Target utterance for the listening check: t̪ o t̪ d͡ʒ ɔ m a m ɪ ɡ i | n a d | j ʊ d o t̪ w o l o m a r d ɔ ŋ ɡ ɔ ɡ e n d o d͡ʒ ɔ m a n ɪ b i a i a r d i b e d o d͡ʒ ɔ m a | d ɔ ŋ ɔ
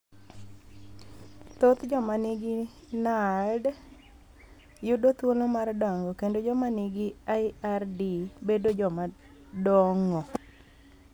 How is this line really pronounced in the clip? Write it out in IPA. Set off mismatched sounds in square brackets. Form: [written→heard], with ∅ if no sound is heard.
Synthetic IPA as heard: t̪ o t̪ d͡ʒ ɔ m a [m→n] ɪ ɡ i | n a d | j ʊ d o t̪ w o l o m a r d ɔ ŋ ɡ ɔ [ɡ→k] e n d o d͡ʒ ɔ m a n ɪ [b→ɡ] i a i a r d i b e d o d͡ʒ ɔ m a | d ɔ ŋ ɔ